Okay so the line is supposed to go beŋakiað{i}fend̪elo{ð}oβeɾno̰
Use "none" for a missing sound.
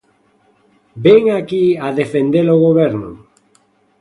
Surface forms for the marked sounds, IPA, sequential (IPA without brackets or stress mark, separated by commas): e, ɣ